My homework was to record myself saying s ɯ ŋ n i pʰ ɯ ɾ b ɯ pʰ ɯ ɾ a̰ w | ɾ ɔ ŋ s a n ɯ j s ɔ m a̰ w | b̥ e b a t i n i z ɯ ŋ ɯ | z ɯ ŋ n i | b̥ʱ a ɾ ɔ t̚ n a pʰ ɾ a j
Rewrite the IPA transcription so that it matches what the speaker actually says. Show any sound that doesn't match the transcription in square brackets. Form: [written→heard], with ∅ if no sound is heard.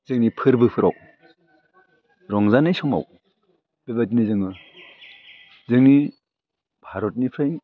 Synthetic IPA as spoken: [s→z] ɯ ŋ n i pʰ ɯ ɾ b ɯ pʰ ɯ ɾ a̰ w | ɾ ɔ ŋ [s→z] a n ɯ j s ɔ m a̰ w | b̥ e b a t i n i z ɯ ŋ ɯ | z ɯ ŋ n i | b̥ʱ a ɾ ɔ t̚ n [a→i] pʰ ɾ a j

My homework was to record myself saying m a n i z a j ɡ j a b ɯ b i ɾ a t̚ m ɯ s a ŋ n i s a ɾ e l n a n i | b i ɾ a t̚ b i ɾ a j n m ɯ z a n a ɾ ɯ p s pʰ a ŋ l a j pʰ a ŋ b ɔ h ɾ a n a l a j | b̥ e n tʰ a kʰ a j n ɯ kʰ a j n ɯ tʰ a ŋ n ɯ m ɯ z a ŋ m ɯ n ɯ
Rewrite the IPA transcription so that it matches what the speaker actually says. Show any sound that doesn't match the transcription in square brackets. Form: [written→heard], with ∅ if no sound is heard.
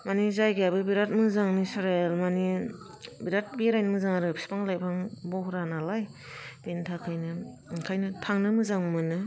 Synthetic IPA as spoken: m a n i z a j ɡ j a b ɯ b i ɾ a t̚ m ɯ [s→z] a ŋ n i s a ɾ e l [n→m] a n i | b i ɾ a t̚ b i ɾ a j n m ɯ z a [n→ŋ] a ɾ ɯ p s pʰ a ŋ l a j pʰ a ŋ b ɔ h ɾ a n a l a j | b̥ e n tʰ a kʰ a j n ɯ kʰ a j n ɯ tʰ a ŋ n ɯ m ɯ z a ŋ m ɯ n ɯ

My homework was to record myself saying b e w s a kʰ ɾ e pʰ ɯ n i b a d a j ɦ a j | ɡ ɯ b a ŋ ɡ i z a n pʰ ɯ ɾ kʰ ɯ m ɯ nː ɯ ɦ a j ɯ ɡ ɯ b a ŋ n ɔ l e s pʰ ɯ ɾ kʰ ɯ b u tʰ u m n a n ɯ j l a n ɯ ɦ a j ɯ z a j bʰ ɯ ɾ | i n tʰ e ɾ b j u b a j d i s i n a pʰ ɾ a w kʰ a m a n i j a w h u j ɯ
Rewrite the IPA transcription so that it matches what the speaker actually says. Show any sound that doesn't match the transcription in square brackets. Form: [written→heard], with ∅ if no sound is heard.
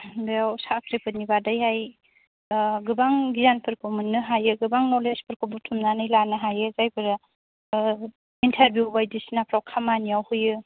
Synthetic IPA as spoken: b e w s a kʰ ɾ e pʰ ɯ n i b a d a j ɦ a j | ɡ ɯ b a ŋ ɡ i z a n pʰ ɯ ɾ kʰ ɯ m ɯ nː ɯ ɦ a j ɯ ɡ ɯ b a ŋ n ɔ l e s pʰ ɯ ɾ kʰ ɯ b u tʰ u m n a n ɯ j l a n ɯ ɦ a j ɯ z a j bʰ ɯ ɾ | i n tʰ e ɾ b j u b a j d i s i n a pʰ ɾ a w kʰ a m a n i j a w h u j ɯ

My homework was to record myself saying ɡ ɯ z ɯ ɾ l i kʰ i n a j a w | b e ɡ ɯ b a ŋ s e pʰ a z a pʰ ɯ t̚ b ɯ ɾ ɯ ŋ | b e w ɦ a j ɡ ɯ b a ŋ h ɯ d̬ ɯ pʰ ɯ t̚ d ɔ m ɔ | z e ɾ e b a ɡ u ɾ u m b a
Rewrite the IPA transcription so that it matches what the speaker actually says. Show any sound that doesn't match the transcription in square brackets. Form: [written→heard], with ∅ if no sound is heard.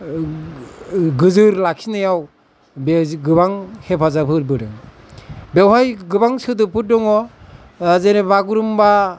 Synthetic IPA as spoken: ɡ ɯ z ɯ ɾ l [i→a] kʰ i n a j a w | b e ɡ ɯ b a ŋ [s→h] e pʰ a z a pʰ ɯ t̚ b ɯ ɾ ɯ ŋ | b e w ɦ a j ɡ ɯ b a ŋ [h→s] ɯ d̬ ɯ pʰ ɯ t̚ d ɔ [m→ŋ] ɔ | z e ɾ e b a ɡ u ɾ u m b a

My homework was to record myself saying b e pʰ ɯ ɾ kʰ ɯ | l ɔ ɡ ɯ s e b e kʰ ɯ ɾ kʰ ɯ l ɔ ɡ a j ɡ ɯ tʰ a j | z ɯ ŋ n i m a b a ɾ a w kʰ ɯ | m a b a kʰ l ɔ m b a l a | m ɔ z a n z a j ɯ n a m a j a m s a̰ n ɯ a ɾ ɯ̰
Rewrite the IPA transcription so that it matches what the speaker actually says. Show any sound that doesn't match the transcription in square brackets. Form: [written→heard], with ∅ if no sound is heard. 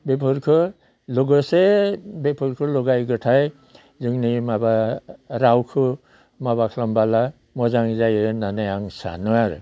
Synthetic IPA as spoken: b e pʰ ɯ ɾ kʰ ɯ | l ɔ ɡ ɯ s e b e [kʰ→pʰ] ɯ ɾ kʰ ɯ l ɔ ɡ a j ɡ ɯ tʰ a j | z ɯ ŋ n i m a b a ɾ a w kʰ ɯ | m a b a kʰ l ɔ m b a l a | m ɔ z a [n→ŋ] z a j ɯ n a [m→n] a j a [m→ŋ] s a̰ n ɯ a ɾ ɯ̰

